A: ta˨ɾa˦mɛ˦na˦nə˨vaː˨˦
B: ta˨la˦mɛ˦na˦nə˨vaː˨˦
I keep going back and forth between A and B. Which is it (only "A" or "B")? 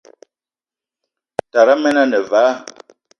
A